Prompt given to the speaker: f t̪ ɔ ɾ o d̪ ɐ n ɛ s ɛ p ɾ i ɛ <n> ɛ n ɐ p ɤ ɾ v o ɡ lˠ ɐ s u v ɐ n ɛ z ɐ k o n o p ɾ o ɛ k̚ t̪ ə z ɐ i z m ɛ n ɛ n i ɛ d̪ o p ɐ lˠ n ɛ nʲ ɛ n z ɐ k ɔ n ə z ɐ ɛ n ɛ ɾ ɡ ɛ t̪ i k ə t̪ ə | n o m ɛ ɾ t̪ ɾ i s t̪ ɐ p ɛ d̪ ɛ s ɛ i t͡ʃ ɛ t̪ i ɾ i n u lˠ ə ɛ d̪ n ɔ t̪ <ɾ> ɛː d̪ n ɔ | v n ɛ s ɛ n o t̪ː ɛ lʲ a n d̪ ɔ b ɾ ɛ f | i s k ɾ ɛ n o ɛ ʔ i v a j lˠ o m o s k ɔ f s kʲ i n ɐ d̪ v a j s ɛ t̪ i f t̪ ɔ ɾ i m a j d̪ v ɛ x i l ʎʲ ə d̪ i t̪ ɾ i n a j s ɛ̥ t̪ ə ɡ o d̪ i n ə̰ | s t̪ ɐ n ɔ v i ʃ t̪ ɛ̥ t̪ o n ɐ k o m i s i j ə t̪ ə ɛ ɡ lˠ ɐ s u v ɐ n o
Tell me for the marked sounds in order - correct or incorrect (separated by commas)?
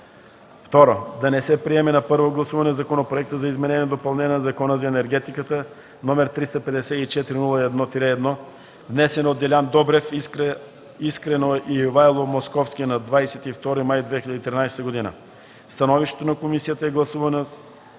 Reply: incorrect, correct